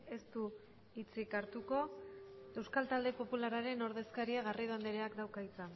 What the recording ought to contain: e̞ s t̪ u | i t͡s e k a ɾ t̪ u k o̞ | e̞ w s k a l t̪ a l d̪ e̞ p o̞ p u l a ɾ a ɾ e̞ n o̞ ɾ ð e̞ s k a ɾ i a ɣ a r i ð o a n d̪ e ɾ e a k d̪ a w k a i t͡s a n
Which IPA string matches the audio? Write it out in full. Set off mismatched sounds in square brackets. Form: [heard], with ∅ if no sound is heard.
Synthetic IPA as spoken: e̞ s t̪ u | i t͡s [i] k a ɾ t̪ u k o̞ | e̞ w s k a l t̪ a l d̪ e̞ p o̞ p u l a ɾ a ɾ e̞ n o̞ ɾ ð e̞ s k a ɾ i a ɣ a r i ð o a n d̪ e ɾ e a k d̪ a w k a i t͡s a n